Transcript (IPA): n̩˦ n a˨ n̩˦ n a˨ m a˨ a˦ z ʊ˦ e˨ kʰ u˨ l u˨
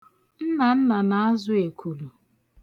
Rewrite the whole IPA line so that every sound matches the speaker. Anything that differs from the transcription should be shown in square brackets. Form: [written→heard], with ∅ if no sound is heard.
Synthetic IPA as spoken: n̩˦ n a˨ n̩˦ n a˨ [m→n] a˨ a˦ z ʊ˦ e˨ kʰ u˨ l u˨